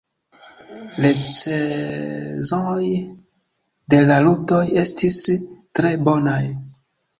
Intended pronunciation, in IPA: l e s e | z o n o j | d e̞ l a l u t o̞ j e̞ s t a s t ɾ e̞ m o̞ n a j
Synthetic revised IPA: l e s e | z o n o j | d e̞ l a l u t o̞ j e̞ s t i s t ɾ e̞ b o̞ n a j